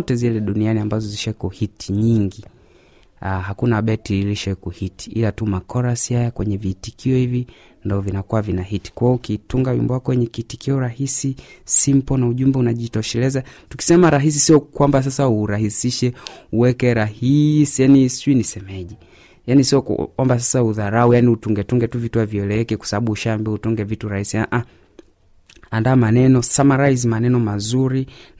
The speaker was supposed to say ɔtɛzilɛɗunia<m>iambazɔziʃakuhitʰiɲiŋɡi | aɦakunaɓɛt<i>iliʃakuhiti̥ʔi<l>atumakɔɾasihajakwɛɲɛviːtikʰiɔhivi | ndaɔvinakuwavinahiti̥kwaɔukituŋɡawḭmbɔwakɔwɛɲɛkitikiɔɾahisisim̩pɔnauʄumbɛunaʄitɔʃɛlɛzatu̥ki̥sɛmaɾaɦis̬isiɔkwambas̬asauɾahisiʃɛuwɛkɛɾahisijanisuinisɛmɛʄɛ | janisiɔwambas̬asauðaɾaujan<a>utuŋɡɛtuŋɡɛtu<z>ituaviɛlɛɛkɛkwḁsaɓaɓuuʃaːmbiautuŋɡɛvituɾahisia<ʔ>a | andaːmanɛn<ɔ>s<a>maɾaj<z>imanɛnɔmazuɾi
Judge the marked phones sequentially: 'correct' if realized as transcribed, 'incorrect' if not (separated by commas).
incorrect, correct, correct, incorrect, incorrect, correct, correct, correct, correct